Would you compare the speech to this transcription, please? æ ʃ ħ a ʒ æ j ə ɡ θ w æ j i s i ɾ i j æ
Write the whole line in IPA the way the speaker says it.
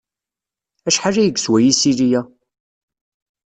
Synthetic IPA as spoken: æ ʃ ħ a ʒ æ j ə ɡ s w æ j i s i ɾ i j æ